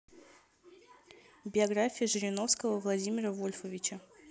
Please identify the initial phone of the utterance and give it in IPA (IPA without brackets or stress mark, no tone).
bʲ